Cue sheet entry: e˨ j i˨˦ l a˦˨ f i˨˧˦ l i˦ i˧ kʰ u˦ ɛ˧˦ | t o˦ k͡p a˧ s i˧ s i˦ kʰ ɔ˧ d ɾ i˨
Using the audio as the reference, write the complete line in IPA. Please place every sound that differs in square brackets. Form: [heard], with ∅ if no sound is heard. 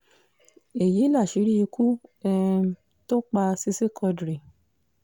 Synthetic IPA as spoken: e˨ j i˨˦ l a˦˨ [ʃ] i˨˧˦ [ɾ] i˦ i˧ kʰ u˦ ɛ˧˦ | t o˦ k͡p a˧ s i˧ s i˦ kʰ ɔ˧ d ɾ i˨